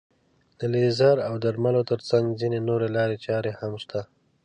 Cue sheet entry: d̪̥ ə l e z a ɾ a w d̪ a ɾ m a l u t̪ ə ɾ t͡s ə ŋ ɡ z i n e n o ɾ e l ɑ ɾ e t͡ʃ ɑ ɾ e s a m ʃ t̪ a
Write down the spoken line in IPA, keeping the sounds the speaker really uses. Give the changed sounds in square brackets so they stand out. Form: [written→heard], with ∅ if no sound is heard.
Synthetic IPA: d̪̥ ə l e z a ɾ a w d̪ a ɾ m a l [u→o] t̪ ə ɾ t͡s [ə→a] ŋ ɡ z i n e n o ɾ e l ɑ ɾ e t͡ʃ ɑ ɾ e [s→h] a m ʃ t̪ a